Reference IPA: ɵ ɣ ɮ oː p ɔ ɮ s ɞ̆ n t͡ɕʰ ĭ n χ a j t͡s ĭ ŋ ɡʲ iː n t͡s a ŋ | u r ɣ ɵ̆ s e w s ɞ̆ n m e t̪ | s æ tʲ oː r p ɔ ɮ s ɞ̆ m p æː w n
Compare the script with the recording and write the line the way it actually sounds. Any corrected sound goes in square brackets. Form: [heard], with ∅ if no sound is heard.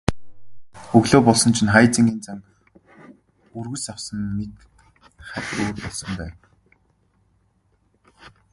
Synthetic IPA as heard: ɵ ɣ ɮ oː p ɔ ɮ s ɞ̆ n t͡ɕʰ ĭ n χ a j t͡s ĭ ŋ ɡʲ iː n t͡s a ŋ | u r ɣ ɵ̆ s [a] w s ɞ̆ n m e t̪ | [χ] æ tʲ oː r p ɔ ɮ s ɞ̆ m p æː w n

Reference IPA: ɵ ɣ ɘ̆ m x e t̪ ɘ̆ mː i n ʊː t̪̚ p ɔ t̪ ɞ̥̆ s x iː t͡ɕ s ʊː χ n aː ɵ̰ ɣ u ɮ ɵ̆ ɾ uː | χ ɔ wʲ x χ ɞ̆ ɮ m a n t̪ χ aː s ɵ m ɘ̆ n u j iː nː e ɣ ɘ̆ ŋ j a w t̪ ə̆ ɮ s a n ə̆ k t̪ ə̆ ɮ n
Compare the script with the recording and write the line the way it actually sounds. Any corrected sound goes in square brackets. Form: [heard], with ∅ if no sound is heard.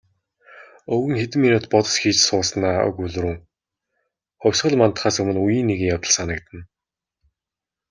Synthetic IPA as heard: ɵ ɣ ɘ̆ [ŋ] x e t̪ ɘ̆ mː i n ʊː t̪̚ p ɔ t̪ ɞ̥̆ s x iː t͡ɕ s ʊː [s] n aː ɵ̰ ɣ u ɮ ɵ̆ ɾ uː | χ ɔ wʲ [s] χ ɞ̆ ɮ m a n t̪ χ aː s ɵ m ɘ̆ n u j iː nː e ɣ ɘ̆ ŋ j a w t̪ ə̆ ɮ s a n ə̆ k t̪ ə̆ [∅] n

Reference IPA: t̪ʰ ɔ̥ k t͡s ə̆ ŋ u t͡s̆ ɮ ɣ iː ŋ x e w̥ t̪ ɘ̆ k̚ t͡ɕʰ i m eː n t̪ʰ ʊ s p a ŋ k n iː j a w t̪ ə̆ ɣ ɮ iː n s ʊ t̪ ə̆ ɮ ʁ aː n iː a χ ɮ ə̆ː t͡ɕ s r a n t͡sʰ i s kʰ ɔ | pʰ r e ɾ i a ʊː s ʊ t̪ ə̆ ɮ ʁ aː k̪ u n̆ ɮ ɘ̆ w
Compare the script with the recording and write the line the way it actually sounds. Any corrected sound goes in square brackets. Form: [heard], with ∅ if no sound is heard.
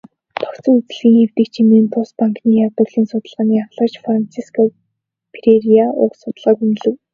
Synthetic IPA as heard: t̪ʰ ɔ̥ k t͡s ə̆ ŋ u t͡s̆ ɮ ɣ iː ŋ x e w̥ t̪ ɘ̆ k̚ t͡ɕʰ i m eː n t̪ʰ ʊ s p a ŋ k n iː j a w t̪ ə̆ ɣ ɮ iː n s ʊ t̪ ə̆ ɮ ʁ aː n iː a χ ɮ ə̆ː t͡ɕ [f] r a n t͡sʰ i s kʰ ɔ | pʰ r e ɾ i a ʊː s ʊ t̪ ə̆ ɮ ʁ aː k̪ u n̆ ɮ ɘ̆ w

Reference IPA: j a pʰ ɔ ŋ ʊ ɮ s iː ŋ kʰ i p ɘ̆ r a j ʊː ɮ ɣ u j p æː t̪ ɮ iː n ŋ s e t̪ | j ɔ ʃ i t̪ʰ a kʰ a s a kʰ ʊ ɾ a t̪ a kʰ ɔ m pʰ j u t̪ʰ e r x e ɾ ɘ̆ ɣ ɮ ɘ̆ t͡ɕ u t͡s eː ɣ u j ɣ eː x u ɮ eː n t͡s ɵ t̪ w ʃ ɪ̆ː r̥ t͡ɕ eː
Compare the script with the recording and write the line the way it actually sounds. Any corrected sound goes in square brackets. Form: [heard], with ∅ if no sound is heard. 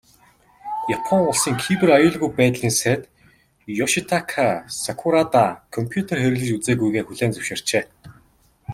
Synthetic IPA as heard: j a pʰ ɔ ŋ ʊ ɮ s iː ŋ kʰ i p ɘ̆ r a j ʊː ɮ ɣ u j p æː t̪ ɮ iː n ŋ s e t̪ | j ɔ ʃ i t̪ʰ a kʰ a s a kʰ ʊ ɾ a t̪ a kʰ ɔ m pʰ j u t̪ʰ e r x e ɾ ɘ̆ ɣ ɮ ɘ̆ t͡ɕ u t͡s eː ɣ u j ɣ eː x u ɮ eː n t͡s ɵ [∅] w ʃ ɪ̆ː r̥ t͡ɕ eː

